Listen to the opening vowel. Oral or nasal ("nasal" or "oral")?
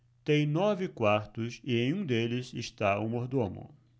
nasal